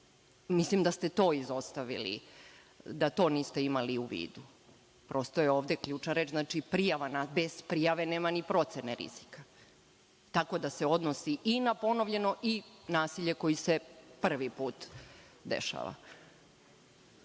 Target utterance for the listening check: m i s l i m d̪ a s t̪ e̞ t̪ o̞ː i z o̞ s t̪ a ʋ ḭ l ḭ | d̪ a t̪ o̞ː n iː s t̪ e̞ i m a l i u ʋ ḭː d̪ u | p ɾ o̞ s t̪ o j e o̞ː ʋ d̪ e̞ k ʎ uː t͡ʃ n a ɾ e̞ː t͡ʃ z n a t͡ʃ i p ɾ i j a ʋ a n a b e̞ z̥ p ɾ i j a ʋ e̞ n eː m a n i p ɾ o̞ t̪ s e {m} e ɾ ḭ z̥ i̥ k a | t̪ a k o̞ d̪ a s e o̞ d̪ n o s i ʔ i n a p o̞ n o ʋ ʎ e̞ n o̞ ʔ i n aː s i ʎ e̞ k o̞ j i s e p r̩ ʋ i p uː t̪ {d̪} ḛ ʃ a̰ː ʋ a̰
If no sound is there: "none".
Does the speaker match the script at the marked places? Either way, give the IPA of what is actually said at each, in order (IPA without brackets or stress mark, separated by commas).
n, d̪